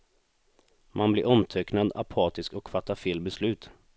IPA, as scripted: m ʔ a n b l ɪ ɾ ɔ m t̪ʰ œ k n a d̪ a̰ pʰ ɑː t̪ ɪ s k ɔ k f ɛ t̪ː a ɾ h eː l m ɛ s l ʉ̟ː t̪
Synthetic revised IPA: m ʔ a n b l ɪ ɾ ɔ m t̪ʰ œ k n a d̪ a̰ pʰ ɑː t̪ ɪ s k ɔ k f a t̪ː a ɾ f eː l b ɛ s l ʉ̟ː t̪